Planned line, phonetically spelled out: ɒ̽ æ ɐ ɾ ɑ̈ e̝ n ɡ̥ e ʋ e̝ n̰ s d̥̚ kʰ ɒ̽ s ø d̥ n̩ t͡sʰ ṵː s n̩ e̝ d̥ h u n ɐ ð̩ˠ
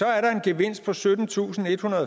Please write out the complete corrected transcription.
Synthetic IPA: ɒ̽ æ ɐ ɾ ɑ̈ e̝ n ɡ̥ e ʋ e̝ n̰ s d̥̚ pʰ ɒ̽ s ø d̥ n̩ t͡sʰ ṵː s n̩ e̝ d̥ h u n ɐ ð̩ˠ

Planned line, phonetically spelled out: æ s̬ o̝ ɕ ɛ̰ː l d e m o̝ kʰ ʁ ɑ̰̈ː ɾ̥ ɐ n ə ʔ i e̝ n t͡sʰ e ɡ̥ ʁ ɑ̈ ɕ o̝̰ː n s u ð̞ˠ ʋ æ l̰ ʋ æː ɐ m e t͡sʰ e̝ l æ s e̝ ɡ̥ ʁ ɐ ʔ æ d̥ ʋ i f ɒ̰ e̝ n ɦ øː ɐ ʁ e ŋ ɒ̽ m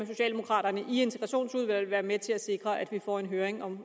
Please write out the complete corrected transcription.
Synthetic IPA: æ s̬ o̝ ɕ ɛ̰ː l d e m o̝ kʰ ʁ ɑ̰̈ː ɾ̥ ɐ n ə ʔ i e̝ n t͡sʰ e ɡ̥ ʁ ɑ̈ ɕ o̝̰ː n s u ð̞ˠ ʋ æ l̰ ʋ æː ɐ m e t͡sʰ e̝ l æ s e̝ ɡ̥ ʁ ɐ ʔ æ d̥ ʋ i f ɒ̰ e̝ n ɦ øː ɐ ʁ e ŋ ɒ̽ m

